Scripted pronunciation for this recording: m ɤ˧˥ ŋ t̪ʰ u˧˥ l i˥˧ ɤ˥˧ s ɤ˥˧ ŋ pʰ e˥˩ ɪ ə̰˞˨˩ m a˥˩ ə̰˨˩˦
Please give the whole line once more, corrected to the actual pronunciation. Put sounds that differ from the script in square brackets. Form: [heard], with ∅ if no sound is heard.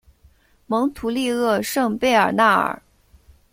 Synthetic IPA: m ɤ˧˥ ŋ t̪ʰ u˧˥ l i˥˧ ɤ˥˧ [ʂ] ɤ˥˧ ŋ [p] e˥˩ ɪ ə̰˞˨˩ [n] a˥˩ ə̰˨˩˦